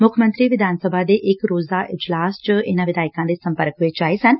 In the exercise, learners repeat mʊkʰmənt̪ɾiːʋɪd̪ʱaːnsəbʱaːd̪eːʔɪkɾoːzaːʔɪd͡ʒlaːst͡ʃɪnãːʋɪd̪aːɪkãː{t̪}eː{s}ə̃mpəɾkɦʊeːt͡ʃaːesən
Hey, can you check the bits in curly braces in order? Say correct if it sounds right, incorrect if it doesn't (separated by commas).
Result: incorrect, correct